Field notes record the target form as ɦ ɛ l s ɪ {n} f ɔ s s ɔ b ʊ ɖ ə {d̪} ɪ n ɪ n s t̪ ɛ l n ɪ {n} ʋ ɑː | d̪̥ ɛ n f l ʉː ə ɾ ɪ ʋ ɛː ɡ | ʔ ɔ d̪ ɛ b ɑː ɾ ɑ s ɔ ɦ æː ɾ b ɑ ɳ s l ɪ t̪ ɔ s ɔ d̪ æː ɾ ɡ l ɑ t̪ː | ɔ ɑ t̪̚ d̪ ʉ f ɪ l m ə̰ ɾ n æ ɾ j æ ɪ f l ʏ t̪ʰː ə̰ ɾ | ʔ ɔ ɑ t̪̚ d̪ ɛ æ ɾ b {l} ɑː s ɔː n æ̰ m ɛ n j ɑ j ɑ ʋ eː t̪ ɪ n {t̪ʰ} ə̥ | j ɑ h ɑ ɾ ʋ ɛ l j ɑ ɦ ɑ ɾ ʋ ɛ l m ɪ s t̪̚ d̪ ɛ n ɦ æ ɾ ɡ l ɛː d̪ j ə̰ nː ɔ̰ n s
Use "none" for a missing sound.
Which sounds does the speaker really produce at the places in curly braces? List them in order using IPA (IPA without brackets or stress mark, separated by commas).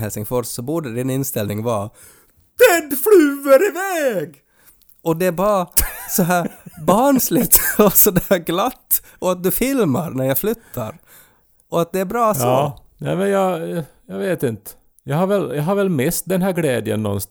ŋ, d̪, ŋ, ɾ, t̪